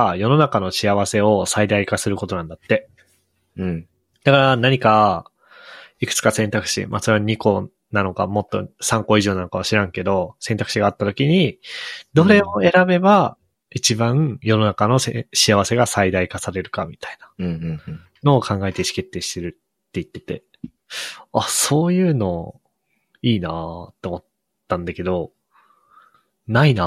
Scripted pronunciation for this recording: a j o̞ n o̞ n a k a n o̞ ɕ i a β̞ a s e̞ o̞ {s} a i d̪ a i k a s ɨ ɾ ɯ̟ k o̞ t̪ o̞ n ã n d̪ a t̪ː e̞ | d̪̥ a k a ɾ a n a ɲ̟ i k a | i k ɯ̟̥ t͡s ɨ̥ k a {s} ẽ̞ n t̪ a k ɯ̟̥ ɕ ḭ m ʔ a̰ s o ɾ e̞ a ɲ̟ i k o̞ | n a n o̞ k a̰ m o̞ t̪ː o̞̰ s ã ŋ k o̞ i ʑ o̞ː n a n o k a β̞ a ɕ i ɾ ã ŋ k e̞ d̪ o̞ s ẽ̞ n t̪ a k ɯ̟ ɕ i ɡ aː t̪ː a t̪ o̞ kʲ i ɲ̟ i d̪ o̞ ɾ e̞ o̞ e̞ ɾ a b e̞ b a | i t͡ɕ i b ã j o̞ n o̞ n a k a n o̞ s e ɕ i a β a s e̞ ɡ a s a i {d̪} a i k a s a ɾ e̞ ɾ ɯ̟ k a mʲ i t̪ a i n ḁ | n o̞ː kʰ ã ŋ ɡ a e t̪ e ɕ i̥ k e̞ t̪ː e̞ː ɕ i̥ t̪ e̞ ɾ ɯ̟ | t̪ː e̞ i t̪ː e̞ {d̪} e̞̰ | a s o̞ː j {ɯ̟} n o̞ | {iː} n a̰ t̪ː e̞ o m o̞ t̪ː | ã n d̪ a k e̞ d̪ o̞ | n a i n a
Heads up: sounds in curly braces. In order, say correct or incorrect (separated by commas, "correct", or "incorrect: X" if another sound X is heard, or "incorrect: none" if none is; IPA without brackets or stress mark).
correct, correct, correct, incorrect: t̪, incorrect: ɯ̟ː, correct